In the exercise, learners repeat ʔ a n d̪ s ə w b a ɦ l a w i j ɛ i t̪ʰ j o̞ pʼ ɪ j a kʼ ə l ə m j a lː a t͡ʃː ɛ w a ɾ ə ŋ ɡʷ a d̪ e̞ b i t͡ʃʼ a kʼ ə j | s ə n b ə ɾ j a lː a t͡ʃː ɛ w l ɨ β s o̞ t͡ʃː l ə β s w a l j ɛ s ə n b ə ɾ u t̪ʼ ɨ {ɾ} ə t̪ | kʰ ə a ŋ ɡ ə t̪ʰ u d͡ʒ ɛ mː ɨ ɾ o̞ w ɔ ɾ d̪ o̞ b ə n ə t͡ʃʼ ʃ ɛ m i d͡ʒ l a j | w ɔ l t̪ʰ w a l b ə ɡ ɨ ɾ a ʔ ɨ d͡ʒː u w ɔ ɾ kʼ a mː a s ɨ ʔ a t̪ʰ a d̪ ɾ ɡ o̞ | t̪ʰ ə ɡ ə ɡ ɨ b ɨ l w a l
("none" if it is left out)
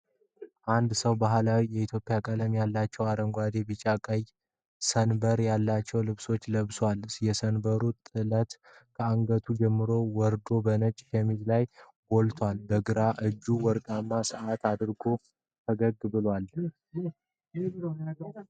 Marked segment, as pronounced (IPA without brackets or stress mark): l